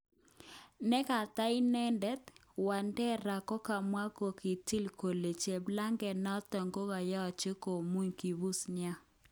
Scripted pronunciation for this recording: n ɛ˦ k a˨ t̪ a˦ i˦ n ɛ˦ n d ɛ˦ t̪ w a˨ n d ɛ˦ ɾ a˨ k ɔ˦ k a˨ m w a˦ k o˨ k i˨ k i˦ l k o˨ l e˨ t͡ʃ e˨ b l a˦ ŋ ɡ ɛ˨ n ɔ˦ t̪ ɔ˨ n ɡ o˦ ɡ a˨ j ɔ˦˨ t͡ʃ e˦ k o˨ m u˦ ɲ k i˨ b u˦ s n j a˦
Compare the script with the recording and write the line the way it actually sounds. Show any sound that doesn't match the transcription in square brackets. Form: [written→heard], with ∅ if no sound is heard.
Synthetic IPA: n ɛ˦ k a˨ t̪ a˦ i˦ n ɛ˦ n d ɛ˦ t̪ w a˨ n d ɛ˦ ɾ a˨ k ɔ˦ k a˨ m w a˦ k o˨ k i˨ [k→t] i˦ l k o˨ l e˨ t͡ʃ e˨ b l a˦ ŋ ɡ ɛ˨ n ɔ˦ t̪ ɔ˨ [n→ŋ] ɡ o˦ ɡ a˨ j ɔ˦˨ t͡ʃ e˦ k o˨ m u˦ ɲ k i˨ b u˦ s n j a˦